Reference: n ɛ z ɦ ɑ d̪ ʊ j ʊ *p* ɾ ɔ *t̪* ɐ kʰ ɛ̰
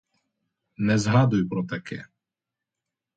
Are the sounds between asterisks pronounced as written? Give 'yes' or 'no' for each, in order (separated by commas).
yes, yes